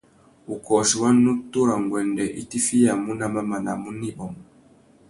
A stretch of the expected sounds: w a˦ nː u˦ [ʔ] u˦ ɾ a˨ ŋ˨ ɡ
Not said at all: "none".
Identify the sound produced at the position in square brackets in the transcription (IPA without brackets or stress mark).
t